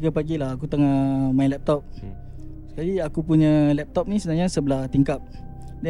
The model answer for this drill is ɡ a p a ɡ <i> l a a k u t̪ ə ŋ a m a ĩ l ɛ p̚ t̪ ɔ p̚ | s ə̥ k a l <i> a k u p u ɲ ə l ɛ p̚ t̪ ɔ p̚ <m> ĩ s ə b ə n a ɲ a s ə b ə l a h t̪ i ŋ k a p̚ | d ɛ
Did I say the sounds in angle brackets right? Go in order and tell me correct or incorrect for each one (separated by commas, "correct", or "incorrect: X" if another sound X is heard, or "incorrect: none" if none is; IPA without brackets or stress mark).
correct, correct, incorrect: n